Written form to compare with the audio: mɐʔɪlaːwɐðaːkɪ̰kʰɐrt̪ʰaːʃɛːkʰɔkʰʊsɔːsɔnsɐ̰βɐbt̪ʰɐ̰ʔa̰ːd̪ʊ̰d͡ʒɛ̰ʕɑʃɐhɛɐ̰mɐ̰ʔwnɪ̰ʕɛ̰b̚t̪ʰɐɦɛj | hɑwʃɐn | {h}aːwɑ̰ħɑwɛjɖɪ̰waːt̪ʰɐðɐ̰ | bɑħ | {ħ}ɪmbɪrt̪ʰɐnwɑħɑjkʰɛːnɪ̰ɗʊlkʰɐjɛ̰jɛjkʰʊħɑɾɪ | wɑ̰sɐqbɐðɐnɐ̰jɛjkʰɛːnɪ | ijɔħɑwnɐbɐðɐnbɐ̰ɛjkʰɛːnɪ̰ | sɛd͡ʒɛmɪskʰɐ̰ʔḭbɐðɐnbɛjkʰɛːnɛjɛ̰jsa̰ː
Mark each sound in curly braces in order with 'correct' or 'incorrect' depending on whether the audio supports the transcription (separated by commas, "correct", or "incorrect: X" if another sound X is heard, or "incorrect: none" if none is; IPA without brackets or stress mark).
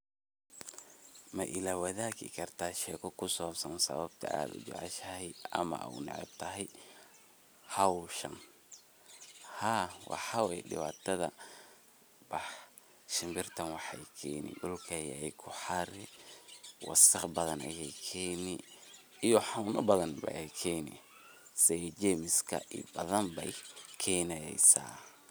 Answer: correct, incorrect: ʃ